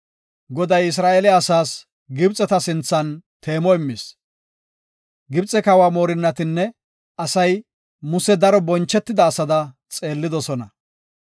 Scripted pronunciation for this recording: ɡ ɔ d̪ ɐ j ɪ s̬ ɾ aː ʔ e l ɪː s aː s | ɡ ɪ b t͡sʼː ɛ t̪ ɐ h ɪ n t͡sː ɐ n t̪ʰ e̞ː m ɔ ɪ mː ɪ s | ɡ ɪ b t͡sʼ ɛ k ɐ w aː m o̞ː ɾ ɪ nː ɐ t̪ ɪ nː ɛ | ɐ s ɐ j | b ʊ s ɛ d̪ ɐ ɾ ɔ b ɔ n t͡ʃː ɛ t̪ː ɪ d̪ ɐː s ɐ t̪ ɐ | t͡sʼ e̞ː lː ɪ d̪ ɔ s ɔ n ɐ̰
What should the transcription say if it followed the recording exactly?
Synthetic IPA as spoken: ɡ ɔ d̪ ɐ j ɪ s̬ ɾ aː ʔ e l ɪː s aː s | ɡ ɪ b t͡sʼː ɛ t̪ ɐ s ɪ n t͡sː ɐ n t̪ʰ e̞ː m ɔ ɪ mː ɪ s | ɡ ɪ b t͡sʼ ɛ k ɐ w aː m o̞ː ɾ ɪ nː ɐ t̪ ɪ nː ɛ | ɐ s ɐ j | m ʊ s ɛ d̪ ɐ ɾ ɔ b ɔ n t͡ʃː ɛ t̪ː ɪ d̪ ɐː s ɐ d̪ ɐ | t͡sʼ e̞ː lː ɪ d̪ ɔ s ɔ n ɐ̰